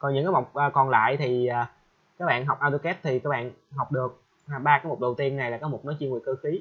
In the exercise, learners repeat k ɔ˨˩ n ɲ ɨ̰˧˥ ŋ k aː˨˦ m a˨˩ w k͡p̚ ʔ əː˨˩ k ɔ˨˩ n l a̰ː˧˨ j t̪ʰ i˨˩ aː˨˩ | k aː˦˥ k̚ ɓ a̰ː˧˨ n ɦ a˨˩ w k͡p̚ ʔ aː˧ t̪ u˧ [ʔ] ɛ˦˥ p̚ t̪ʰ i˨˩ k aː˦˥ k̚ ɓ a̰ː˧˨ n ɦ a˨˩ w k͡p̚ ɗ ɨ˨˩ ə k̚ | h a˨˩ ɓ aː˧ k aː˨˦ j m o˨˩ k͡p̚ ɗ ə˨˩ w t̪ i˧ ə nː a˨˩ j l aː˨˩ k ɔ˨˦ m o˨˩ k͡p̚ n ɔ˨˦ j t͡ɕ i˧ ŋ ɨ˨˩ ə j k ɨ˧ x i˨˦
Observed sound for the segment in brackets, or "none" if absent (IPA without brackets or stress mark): k